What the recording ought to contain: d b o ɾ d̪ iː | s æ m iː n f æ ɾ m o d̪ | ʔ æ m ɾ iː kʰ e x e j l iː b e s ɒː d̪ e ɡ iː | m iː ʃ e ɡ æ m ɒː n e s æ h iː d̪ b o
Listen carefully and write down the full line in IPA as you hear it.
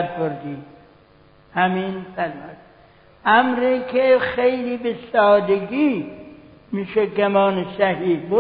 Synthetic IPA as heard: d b o ɾ d̪ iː | h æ m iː n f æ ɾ m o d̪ | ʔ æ m ɾ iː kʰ e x e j l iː b e s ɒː d̪ e ɡ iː | m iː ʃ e ɡ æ m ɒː n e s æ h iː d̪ b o